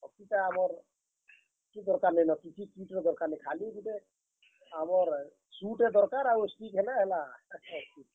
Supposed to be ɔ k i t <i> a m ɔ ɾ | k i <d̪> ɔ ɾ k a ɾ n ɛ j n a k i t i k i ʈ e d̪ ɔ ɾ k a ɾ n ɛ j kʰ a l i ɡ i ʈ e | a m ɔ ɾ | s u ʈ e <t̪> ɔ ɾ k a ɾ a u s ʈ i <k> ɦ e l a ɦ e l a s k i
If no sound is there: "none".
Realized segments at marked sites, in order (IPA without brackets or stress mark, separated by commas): a, d̪, d̪, k